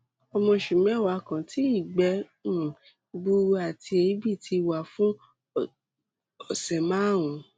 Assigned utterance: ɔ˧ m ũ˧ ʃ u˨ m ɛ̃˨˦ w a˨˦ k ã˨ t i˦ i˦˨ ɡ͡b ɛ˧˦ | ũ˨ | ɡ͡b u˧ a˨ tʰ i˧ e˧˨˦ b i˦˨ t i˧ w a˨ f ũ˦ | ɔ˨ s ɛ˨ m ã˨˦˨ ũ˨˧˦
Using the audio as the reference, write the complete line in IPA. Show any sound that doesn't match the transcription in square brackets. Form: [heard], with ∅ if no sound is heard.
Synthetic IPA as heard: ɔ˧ m [ɔ̃˧] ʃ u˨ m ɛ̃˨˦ w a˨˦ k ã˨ t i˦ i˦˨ ɡ͡b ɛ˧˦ | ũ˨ | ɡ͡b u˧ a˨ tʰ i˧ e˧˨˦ b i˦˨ t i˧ w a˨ f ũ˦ | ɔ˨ s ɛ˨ m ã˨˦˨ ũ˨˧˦